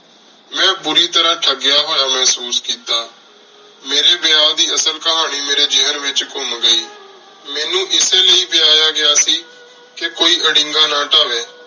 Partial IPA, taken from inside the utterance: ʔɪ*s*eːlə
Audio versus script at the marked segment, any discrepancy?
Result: no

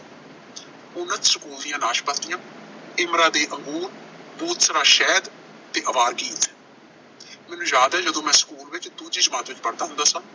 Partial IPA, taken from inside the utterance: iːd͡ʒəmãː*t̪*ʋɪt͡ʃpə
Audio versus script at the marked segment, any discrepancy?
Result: no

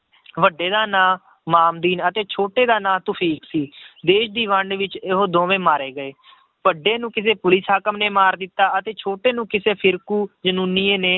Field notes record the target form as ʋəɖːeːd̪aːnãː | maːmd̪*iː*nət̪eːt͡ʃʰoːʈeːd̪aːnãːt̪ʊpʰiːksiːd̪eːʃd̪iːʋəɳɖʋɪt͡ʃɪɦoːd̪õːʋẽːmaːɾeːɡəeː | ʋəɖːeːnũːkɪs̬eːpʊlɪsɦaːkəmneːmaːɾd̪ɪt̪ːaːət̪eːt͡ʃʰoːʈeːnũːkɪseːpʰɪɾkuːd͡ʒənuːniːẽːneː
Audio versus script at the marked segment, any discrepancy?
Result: no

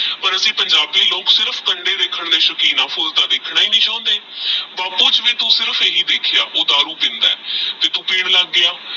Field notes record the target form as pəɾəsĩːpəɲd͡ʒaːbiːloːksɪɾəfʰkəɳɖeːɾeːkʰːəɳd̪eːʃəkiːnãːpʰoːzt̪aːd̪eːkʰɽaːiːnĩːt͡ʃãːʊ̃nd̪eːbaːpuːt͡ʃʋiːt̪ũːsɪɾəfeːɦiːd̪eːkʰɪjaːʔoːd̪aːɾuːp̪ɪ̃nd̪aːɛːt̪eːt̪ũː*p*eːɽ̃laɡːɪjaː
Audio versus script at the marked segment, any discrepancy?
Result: no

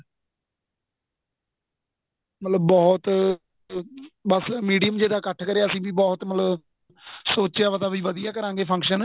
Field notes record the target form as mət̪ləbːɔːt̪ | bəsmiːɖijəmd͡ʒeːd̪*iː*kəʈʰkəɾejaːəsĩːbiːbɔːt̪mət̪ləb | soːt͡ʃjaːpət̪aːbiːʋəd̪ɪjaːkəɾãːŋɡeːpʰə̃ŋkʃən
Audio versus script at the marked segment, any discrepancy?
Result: yes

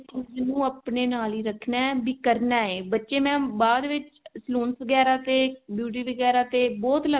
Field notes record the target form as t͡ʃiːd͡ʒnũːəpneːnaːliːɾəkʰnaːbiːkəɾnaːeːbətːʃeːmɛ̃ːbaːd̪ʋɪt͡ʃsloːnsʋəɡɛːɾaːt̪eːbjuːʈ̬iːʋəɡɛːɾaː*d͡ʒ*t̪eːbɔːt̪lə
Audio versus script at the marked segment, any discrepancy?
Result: yes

